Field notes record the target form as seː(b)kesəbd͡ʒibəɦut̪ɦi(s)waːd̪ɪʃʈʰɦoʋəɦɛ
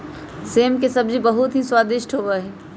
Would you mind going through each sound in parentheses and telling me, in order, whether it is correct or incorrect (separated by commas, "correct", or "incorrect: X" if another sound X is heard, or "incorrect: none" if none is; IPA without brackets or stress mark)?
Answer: incorrect: m, correct